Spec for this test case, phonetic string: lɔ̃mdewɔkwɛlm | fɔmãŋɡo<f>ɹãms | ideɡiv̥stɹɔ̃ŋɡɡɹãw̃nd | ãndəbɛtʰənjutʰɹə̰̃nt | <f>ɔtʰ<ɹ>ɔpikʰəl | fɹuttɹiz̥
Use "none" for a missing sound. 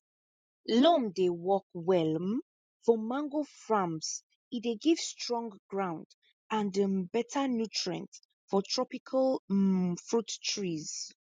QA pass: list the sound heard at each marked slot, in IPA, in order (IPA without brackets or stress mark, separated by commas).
f, f, ɹ